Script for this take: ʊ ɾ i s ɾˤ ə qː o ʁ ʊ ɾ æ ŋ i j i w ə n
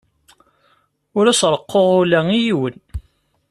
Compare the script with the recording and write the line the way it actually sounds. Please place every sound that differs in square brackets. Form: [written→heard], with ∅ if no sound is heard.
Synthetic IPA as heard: ʊ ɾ [i→æ] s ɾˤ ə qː o ʁ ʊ [ɾ→l] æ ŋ i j i w ə n